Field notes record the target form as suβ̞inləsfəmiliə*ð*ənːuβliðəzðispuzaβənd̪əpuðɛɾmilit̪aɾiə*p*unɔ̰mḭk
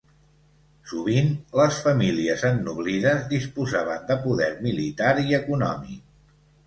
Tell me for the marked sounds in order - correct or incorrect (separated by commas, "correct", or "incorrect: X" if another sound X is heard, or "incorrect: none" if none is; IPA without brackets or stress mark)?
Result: incorrect: z, incorrect: k